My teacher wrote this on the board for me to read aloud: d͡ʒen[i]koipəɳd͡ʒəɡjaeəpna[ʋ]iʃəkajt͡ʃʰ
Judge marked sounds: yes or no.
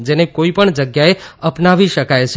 no, yes

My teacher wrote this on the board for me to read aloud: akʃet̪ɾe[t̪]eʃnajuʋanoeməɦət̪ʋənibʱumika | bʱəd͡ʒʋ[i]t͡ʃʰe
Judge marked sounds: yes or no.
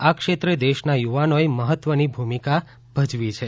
no, yes

